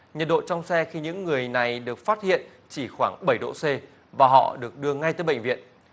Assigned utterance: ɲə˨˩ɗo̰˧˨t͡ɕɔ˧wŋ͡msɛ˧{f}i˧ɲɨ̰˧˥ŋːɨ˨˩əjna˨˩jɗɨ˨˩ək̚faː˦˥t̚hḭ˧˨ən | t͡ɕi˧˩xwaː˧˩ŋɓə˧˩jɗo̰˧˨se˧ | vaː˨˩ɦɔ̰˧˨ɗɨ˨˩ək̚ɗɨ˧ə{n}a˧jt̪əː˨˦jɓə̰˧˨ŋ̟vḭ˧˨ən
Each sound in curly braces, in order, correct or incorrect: incorrect: x, incorrect: ŋ

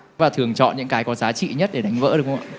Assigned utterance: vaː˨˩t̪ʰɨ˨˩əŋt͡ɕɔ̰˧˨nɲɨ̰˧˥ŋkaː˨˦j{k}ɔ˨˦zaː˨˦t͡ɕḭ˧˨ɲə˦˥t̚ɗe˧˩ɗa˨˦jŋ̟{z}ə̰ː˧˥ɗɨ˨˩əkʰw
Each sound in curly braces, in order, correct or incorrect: correct, incorrect: v

